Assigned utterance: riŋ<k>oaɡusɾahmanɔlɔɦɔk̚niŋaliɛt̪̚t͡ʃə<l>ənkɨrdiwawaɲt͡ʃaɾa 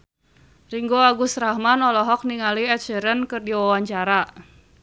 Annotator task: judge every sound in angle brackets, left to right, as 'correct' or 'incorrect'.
incorrect, incorrect

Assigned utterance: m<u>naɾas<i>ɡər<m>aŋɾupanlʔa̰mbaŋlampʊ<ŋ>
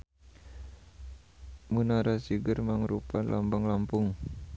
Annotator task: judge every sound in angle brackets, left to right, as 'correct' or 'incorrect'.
correct, correct, correct, correct

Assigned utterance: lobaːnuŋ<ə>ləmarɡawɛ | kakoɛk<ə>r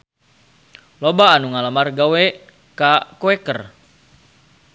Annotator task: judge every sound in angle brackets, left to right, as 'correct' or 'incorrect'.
incorrect, correct

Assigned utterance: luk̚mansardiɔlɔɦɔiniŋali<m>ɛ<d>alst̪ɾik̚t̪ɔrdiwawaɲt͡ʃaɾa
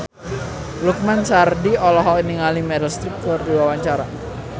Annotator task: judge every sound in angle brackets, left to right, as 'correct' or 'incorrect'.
correct, correct

